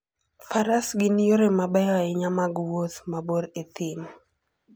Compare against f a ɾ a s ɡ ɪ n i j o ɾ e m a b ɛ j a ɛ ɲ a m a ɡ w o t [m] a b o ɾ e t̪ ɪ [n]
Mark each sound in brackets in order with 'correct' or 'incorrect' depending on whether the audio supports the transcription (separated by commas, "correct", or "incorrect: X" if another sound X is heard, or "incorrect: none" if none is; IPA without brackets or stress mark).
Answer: correct, incorrect: m